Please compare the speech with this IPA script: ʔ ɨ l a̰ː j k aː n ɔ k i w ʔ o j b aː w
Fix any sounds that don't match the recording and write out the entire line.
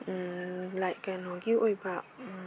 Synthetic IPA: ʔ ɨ l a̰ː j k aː n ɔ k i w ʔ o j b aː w